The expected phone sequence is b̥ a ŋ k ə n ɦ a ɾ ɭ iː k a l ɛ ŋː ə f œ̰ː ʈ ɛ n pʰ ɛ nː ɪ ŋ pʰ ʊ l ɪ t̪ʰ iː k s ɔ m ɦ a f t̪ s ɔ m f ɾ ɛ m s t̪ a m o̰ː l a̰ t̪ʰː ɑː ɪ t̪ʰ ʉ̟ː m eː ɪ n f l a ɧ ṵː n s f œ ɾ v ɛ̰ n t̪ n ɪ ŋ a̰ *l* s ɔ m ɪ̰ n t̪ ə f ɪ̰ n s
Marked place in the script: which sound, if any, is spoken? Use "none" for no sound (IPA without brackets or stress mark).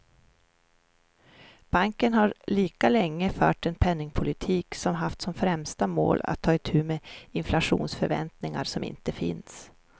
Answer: ɾ